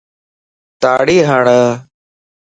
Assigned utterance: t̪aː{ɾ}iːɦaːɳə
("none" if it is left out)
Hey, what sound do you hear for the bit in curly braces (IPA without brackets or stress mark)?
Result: ɽ